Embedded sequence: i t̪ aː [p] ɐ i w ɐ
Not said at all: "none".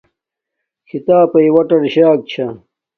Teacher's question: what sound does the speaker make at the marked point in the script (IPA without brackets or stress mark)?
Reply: p